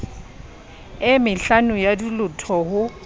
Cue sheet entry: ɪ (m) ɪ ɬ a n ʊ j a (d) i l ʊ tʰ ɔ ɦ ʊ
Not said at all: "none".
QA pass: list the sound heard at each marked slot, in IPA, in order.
m, d

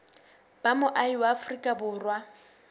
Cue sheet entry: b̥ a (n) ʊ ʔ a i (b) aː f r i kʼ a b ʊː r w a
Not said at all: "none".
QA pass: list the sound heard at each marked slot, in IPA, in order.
m, w

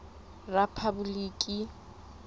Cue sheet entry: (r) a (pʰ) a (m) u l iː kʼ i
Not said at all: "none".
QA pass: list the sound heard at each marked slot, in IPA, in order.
r, pʰ, b

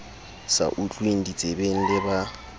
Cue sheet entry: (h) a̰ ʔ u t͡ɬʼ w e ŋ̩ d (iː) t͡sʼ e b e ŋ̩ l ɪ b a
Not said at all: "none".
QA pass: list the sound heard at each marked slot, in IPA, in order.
s, i

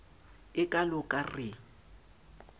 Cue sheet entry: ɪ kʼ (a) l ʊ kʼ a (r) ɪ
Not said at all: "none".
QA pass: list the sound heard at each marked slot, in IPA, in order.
a, r

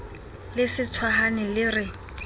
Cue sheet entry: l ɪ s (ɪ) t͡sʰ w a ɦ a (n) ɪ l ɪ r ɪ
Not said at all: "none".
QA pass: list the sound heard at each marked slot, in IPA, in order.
ɪ, n

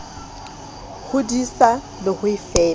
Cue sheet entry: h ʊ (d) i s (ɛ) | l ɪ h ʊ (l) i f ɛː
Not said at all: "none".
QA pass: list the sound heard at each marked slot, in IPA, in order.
d, a, none

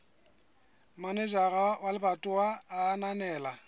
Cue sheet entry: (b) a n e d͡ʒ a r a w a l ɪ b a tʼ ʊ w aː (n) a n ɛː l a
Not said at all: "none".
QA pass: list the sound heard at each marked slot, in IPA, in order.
m, n

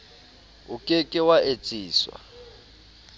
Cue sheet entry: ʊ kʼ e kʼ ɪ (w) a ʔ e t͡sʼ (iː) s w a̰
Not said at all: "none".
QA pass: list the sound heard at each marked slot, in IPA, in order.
w, iː

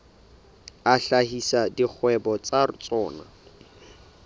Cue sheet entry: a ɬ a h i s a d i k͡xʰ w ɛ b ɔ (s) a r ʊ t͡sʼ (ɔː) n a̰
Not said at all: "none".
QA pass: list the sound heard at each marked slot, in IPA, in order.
t͡s, ɔː

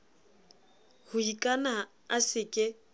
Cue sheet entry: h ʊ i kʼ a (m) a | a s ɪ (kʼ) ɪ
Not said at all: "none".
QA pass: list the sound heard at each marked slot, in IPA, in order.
n, kʼ

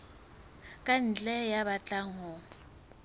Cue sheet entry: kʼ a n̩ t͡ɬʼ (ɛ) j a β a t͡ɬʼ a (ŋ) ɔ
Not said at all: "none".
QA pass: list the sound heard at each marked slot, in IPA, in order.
ɛ, ŋ

